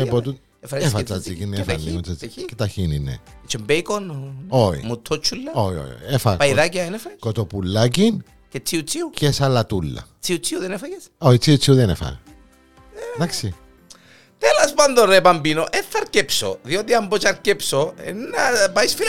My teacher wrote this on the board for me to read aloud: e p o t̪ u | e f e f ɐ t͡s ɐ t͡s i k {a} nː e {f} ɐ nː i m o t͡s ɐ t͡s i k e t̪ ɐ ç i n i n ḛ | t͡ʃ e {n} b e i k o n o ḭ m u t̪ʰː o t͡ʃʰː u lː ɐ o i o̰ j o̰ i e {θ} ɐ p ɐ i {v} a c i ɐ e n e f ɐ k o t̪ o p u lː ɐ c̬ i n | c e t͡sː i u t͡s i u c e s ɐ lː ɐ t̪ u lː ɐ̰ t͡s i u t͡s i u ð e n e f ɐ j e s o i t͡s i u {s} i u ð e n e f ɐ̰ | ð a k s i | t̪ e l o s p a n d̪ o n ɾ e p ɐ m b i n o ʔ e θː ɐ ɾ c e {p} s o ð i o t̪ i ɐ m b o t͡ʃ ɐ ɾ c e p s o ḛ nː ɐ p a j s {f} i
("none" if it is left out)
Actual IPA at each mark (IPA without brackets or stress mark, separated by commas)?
i, f, m, f, ð, t͡s, p, f